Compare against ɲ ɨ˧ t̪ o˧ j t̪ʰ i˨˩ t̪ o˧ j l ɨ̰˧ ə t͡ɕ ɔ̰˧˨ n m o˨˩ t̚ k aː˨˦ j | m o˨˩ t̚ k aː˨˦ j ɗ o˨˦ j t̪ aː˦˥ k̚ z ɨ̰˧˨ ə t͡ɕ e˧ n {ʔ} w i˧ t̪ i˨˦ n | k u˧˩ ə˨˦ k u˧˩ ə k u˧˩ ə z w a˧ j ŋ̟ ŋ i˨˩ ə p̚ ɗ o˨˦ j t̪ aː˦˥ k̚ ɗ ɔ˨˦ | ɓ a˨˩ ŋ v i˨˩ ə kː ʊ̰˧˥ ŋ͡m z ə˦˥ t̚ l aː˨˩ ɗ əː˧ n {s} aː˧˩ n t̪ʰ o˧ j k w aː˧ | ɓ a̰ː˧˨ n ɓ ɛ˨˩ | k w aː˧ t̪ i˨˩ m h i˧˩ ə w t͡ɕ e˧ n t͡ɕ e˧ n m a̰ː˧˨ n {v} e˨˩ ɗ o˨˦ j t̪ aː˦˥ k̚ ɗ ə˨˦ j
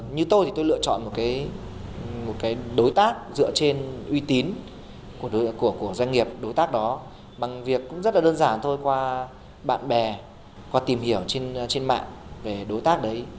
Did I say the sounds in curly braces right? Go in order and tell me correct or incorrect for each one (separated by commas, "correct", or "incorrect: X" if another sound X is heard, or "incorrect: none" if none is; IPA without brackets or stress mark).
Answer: correct, incorrect: z, correct